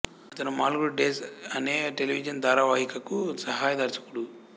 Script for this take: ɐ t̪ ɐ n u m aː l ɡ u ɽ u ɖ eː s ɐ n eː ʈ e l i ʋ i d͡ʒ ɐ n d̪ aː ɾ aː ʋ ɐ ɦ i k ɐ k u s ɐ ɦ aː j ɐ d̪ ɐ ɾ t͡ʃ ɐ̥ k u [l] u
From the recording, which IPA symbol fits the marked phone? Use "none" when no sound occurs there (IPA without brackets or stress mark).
ɽ